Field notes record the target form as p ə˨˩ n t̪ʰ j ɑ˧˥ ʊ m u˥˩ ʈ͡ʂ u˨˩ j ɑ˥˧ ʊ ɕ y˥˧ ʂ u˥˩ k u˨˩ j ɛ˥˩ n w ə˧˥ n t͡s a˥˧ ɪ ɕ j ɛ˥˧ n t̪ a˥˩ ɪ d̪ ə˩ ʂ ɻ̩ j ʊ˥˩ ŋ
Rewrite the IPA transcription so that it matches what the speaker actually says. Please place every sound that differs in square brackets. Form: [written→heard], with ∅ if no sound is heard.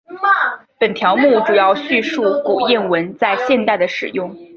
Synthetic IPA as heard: p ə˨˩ n t̪ʰ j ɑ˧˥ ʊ m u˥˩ ʈ͡ʂ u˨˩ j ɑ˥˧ ʊ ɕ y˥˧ ʂ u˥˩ k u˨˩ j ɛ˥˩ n w ə˧˥ n t͡s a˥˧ ɪ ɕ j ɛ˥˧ n t̪ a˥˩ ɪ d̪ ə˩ ʂ ɻ̩ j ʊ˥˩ ŋ